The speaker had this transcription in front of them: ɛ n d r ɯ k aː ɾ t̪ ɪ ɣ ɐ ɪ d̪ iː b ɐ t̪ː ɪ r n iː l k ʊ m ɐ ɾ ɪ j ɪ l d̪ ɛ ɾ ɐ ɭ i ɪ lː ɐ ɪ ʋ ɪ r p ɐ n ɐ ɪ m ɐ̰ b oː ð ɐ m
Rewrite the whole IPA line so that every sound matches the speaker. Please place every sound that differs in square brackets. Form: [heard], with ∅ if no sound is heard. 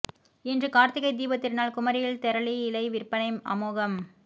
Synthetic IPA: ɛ n d r ɯ k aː ɾ t̪ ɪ ɣ ɐ ɪ d̪ iː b ɐ t̪ː ɪ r n [aː] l k ʊ m ɐ ɾ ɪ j ɪ l [t̪] ɛ ɾ ɐ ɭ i ɪ [l] ɐ ɪ ʋ ɪ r p ɐ n ɐ ɪ m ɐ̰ [m] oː [ɣ] ɐ m